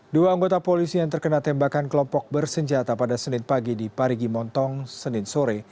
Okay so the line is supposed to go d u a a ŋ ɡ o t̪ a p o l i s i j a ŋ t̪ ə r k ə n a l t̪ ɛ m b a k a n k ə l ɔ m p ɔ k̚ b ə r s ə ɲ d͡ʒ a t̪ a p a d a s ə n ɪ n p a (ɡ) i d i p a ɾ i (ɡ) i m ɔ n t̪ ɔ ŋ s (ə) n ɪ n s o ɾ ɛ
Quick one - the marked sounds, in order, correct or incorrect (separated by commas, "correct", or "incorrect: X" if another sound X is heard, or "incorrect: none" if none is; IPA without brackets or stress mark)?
correct, correct, correct